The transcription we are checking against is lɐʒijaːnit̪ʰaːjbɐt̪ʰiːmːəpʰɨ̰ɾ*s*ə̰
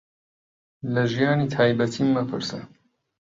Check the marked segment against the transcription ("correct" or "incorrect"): correct